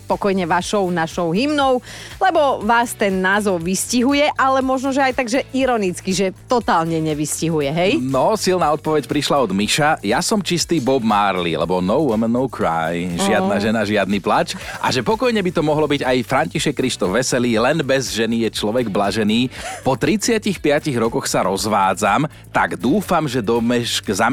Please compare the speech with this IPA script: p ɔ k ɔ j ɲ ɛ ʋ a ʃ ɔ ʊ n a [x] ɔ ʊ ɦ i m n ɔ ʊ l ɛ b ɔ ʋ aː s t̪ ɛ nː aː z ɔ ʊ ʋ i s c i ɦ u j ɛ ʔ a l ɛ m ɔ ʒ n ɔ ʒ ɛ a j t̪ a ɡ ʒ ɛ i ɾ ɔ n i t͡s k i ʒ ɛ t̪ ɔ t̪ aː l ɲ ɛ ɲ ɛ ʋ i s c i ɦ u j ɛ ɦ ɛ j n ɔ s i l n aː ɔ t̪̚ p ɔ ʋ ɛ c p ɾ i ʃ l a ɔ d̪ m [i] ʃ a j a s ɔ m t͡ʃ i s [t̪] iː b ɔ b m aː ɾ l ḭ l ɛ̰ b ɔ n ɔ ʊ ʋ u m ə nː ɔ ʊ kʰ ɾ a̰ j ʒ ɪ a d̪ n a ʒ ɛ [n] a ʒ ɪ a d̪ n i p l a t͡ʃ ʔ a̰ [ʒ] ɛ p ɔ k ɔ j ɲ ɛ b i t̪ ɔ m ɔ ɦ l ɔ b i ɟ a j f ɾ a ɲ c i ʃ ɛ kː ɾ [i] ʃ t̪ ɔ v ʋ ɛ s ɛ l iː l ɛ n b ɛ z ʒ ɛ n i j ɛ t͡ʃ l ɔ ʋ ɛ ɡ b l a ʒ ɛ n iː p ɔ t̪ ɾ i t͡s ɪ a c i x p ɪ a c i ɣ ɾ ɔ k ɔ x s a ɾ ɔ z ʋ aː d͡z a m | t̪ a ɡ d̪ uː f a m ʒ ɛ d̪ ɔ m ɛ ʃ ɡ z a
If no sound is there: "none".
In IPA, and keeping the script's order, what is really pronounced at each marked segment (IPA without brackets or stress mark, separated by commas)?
ʃ, i, t̪, n, ʒ, i